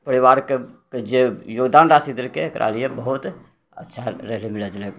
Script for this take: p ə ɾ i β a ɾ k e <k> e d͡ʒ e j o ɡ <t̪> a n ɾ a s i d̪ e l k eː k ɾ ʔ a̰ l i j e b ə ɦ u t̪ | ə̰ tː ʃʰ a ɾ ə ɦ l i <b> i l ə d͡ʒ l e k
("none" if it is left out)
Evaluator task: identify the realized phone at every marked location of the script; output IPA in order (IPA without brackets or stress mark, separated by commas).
k, d̪, m